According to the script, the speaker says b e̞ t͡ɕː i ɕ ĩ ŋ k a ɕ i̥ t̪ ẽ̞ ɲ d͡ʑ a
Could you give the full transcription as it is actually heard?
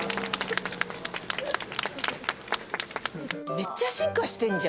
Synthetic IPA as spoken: m e̞ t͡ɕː a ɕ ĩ ŋ k a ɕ i̥ t̪ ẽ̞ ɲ d͡ʑ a